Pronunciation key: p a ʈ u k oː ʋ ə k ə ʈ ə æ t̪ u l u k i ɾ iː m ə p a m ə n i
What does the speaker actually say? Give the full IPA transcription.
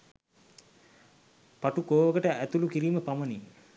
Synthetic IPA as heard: p a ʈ u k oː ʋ ə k ə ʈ ə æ t̪ u l u k i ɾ iː m ə p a m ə n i